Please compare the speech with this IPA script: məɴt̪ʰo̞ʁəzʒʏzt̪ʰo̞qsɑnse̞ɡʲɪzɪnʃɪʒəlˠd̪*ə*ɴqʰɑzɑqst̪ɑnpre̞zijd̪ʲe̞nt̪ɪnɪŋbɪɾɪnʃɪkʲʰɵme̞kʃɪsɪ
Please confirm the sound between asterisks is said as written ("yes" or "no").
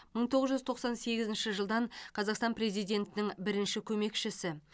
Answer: no